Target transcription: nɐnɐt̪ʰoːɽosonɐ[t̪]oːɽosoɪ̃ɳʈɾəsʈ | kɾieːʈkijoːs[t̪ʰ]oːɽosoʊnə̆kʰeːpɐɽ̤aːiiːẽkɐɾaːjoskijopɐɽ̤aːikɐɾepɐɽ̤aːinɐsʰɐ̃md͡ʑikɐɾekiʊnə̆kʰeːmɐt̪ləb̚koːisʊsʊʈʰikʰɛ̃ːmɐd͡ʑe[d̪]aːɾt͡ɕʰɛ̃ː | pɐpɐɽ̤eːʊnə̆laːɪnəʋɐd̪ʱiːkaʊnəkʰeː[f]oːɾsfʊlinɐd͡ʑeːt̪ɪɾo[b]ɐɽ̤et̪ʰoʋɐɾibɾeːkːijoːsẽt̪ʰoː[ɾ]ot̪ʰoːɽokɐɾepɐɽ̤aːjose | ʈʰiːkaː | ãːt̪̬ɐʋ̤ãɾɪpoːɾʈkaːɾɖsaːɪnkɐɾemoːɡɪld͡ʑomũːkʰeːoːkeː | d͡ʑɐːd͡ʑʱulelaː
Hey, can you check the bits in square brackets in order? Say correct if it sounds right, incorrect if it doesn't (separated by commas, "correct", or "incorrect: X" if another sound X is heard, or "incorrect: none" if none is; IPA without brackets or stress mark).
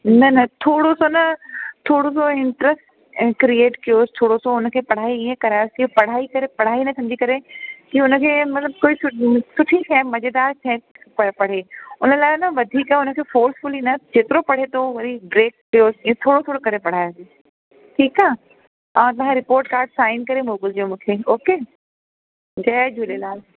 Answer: incorrect: t̪ʰ, correct, correct, correct, incorrect: p, incorrect: ɽ